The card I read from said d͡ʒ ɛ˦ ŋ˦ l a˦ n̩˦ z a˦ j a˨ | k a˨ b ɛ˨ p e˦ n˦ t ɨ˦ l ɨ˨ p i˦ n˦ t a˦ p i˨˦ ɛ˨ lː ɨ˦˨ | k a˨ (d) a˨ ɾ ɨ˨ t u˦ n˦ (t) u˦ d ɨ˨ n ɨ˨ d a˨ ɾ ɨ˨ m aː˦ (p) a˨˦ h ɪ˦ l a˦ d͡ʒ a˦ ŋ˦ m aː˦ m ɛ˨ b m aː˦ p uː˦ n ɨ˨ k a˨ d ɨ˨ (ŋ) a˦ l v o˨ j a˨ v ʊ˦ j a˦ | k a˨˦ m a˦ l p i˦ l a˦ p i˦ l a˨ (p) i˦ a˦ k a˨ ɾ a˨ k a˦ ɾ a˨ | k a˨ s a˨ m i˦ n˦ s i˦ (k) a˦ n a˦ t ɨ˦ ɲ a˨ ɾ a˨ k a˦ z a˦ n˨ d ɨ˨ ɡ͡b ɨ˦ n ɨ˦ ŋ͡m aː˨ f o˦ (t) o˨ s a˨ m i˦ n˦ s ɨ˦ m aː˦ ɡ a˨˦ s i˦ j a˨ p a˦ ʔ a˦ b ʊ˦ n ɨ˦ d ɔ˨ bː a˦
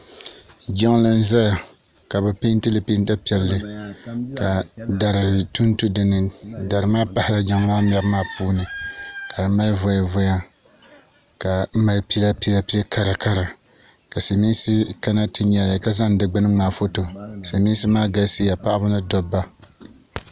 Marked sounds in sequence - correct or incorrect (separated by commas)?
correct, correct, correct, incorrect, correct, correct, correct